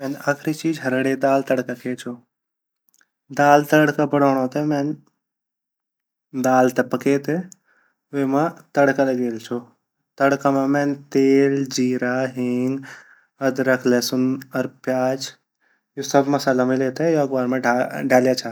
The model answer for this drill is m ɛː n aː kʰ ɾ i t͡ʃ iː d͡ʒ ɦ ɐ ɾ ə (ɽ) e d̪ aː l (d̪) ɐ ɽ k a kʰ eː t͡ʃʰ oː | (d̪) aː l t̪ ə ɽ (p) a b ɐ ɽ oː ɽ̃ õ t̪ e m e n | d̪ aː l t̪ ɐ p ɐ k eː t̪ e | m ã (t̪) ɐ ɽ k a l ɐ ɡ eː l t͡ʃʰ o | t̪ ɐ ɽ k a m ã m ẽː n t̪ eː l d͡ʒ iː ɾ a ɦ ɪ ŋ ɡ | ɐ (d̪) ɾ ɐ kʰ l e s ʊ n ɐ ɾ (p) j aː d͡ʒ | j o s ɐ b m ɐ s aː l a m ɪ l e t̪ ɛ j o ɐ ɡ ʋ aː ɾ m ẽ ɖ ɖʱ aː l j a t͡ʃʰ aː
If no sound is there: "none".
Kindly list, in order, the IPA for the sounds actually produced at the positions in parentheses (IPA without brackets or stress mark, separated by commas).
ɽ, t̪, d̪, k, t̪, d̪, p